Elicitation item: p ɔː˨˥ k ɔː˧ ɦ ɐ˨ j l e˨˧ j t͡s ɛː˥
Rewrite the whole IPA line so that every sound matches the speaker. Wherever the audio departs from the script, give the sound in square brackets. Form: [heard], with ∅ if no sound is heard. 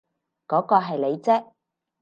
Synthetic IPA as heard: [k] ɔː˨˥ k ɔː˧ ɦ ɐ˨ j l e˨˧ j t͡s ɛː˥